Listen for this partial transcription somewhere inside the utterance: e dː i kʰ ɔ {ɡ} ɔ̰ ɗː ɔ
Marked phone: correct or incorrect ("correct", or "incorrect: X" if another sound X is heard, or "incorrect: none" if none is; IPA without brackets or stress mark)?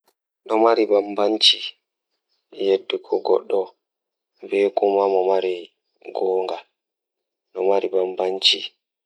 correct